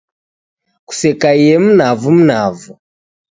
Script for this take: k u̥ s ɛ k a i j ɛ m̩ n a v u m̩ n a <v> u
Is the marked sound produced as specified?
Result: yes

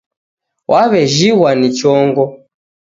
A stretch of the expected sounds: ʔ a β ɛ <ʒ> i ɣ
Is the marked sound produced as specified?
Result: yes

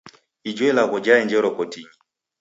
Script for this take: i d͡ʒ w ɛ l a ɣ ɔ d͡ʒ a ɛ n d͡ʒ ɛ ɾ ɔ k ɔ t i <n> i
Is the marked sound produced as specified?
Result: no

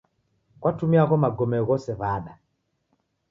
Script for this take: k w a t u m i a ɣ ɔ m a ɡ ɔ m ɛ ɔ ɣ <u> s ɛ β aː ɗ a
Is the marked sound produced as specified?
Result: no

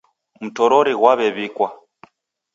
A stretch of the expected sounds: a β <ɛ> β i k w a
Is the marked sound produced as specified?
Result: yes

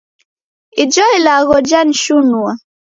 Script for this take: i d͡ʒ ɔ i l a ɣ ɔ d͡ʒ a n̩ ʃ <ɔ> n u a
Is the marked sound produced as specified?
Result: no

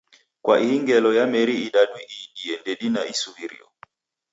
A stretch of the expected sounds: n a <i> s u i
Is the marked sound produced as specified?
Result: yes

